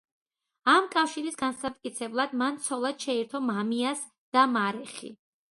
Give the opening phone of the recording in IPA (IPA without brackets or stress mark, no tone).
a